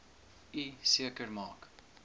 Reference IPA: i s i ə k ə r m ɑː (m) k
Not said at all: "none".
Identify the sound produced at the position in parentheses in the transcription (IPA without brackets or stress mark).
none